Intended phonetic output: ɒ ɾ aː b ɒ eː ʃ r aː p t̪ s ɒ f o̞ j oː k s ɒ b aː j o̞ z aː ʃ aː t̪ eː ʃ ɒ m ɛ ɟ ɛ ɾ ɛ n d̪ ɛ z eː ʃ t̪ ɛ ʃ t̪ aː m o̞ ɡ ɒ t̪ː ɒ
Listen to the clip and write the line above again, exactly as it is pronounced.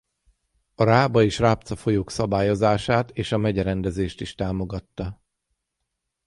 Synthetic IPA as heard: ɒ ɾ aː b ɒ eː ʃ r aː p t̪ s ɒ f o̞ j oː k s ɒ b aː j o̞ z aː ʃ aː t̪ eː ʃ ɒ m ɛ ɟ ɛ ɾ ɛ n d̪ ɛ z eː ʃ t̪ i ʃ t̪ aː m o̞ ɡ ɒ t̪ː ɒ